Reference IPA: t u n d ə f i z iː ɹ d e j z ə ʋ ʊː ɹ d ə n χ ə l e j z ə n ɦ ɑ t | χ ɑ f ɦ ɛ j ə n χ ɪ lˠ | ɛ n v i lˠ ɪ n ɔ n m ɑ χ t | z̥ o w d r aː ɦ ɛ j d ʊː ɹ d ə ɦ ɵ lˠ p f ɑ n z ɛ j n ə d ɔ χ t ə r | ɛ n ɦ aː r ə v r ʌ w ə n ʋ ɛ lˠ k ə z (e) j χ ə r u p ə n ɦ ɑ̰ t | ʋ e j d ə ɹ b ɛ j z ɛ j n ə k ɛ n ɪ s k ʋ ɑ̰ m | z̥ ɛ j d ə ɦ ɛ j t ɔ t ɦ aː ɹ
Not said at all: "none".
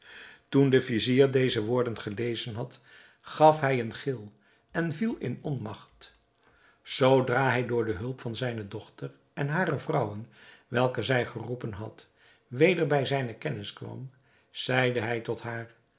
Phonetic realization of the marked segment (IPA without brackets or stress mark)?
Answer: ɛ